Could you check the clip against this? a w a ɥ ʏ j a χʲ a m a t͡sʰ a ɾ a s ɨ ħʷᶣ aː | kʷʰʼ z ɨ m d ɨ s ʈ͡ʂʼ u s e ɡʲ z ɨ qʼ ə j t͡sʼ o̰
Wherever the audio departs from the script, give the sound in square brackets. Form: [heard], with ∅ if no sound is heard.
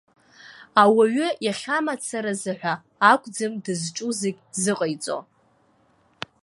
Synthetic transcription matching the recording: a w a ɥ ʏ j a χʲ a m a t͡sʰ a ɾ a [z] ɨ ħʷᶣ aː | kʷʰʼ [d͡z] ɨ m d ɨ [z] ʈ͡ʂʼ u [z] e ɡʲ z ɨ qʼ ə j t͡sʼ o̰